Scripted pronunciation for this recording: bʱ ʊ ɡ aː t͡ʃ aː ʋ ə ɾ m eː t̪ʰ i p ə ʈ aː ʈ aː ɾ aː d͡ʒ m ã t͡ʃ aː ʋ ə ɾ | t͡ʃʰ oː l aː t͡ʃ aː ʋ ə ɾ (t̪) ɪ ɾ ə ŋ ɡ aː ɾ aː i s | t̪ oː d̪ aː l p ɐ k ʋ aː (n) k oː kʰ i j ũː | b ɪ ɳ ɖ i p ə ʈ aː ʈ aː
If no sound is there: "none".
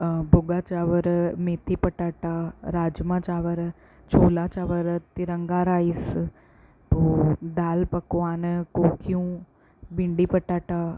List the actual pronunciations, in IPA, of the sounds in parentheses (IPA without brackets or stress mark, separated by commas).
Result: t̪, n